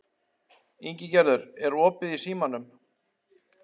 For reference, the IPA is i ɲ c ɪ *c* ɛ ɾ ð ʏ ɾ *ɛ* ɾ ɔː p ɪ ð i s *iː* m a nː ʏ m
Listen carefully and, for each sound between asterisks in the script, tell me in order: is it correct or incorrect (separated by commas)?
correct, correct, correct